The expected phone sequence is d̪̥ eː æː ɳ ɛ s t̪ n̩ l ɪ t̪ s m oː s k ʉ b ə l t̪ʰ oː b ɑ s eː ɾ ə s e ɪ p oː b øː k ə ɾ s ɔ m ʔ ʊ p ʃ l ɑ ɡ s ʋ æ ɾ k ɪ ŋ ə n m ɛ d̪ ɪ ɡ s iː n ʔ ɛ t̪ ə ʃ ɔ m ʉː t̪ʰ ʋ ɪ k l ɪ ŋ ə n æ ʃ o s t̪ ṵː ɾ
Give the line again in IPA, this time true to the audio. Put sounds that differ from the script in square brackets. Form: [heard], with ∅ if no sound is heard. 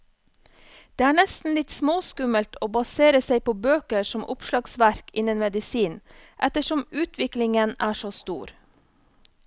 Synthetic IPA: d̪̥ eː æː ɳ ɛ s t̪ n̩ l ɪ t̪ s m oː s k ʉ [m] ə l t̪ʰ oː b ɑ s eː ɾ ə s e ɪ p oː b øː k ə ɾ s ɔ m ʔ ʊ p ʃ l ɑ ɡ s ʋ æ ɾ k ɪ [n] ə n m ɛ d̪ ɪ [∅] s iː n ʔ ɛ t̪ ə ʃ ɔ m ʉː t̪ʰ ʋ ɪ k l ɪ ŋ ə n [æː] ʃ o s t̪ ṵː ɾ